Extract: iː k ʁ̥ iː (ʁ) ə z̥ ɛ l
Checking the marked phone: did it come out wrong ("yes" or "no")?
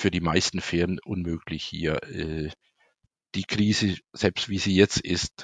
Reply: yes